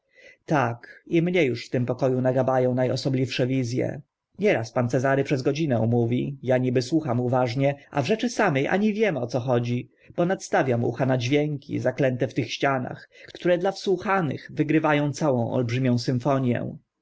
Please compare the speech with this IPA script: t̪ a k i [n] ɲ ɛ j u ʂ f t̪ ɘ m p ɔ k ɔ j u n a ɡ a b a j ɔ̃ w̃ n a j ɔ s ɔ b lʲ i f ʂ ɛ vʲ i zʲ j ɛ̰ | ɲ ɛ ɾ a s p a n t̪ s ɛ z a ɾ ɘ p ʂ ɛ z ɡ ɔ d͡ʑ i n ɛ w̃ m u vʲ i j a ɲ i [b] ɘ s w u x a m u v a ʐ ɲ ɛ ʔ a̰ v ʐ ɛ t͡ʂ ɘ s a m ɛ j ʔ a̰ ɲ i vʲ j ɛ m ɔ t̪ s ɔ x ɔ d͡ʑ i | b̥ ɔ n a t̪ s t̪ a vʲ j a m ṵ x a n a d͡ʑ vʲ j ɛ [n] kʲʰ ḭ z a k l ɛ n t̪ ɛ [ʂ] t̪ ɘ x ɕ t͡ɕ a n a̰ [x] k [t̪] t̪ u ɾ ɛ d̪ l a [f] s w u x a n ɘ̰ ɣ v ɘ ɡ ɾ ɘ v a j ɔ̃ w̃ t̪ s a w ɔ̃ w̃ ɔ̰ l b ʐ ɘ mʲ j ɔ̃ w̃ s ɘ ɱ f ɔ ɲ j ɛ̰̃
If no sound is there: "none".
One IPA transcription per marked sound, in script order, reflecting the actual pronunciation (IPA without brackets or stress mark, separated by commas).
m, b, ŋ, f, x, t̪, f